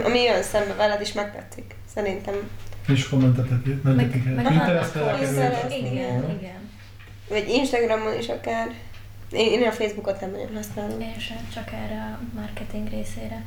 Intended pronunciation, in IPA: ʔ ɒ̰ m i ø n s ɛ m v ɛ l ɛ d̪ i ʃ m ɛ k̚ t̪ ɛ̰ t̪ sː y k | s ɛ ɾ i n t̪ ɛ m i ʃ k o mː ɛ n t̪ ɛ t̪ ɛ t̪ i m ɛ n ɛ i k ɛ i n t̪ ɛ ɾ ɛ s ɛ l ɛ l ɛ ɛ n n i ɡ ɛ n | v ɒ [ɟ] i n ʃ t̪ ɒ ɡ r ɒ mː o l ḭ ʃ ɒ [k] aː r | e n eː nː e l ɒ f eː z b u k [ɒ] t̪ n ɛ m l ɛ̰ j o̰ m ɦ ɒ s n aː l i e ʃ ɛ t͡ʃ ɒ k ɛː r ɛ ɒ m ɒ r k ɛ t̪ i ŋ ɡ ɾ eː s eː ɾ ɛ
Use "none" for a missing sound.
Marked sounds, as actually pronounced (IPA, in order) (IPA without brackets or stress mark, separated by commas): ɟ, k, o